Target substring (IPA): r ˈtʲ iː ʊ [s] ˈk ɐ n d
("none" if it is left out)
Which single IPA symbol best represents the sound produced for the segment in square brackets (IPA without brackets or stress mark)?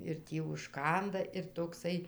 ʃ